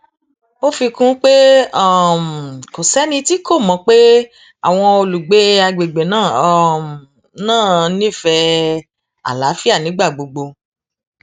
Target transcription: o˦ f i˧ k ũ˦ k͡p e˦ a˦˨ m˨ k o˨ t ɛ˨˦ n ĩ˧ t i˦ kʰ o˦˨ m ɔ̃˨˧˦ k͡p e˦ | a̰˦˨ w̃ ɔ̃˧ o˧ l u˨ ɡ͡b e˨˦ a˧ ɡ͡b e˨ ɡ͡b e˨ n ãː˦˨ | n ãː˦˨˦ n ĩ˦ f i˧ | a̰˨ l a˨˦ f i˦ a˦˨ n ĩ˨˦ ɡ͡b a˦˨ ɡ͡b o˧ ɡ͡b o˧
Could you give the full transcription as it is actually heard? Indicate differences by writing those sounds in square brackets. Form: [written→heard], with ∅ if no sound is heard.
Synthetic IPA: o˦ f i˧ k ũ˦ k͡p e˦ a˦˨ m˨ k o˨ [t→s] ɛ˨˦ n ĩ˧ t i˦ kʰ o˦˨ m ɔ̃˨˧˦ k͡p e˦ | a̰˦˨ w̃ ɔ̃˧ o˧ l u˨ ɡ͡b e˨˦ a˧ ɡ͡b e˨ ɡ͡b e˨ n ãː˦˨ | n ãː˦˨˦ n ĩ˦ f [i˧→ɛ˧] | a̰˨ l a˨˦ f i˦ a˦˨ n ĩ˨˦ ɡ͡b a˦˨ ɡ͡b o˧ ɡ͡b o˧